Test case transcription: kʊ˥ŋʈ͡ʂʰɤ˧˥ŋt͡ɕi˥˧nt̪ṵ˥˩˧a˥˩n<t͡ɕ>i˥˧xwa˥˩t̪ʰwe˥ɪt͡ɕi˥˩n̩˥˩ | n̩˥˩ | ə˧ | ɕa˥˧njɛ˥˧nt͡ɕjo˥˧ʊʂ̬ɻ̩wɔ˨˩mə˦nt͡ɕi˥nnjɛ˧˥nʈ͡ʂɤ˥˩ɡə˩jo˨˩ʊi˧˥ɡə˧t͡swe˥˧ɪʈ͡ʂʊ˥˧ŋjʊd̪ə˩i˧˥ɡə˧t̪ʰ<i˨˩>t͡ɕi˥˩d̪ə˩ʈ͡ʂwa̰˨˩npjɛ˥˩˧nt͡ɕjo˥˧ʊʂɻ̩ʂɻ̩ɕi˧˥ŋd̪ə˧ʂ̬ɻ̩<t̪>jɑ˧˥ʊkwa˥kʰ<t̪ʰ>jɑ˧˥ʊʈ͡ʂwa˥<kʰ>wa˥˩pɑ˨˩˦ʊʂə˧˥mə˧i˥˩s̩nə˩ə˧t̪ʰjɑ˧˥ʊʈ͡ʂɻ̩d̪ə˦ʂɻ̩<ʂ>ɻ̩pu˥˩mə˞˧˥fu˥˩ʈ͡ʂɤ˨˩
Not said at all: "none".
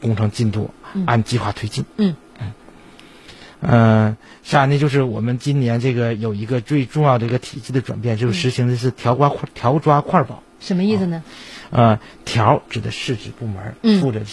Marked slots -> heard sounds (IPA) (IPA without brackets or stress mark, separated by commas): t͡ɕ, i˨˩, t̪ʰ, t̪ʰ, kʰ, ʈ͡ʂ